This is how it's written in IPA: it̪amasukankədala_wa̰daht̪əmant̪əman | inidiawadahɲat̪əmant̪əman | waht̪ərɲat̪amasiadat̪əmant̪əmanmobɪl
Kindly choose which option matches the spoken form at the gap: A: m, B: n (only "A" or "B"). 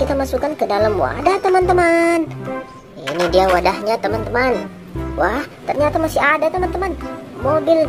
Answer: A